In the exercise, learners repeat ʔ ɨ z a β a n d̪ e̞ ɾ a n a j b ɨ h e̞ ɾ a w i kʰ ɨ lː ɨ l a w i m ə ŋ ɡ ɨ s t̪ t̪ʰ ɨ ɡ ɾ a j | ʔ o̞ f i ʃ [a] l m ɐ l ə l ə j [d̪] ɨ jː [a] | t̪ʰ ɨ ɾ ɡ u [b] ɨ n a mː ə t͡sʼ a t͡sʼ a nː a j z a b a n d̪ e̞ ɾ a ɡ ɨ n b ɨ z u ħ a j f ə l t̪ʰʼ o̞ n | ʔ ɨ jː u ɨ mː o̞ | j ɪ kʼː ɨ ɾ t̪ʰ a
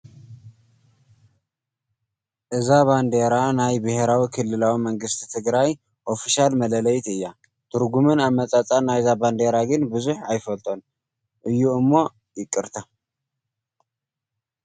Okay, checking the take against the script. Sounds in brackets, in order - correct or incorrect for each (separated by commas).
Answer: correct, incorrect, correct, incorrect